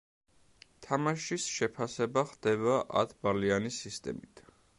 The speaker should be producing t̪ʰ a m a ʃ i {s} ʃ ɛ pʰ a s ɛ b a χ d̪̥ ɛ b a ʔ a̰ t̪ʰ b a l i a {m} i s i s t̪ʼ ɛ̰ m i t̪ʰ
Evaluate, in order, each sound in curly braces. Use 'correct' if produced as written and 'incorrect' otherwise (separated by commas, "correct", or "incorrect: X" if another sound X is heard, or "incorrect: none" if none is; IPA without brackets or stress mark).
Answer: correct, incorrect: n